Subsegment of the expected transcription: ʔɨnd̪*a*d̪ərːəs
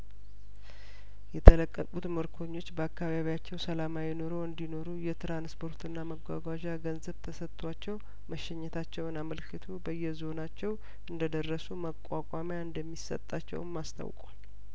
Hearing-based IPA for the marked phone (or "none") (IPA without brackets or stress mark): ə